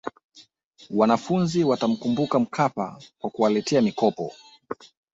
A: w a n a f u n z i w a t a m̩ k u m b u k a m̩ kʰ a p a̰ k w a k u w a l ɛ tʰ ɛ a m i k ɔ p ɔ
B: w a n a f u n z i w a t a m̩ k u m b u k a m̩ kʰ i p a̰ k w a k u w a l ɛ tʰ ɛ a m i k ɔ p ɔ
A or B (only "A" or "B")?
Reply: A